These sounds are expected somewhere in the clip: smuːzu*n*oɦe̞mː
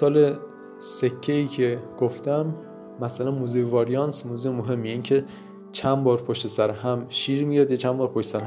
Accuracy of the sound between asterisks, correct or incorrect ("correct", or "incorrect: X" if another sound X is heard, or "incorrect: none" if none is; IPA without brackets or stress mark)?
incorrect: m